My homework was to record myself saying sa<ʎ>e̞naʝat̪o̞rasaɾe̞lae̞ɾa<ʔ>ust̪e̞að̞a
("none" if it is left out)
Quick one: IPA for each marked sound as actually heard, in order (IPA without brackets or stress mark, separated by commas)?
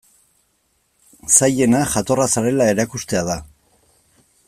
j, k